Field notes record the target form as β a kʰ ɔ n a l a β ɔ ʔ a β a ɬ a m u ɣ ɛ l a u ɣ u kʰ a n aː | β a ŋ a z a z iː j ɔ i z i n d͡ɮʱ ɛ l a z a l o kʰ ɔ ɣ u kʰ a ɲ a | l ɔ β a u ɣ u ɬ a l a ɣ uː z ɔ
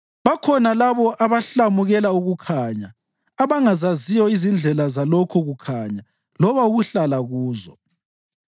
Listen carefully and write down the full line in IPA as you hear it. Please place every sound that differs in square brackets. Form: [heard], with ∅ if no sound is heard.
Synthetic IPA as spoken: β a kʰ ɔ n a l a β ɔ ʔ a β a ɬ a m u ɣ ɛ l a u ɣ u kʰ a [ɲ] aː | β a ŋ a z a z [i] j ɔ i z i n d͡ɮʱ ɛ l a z a l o kʰ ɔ ɣ u kʰ a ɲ a | l ɔ β a u ɣ u ɬ a l a ɣ uː z ɔ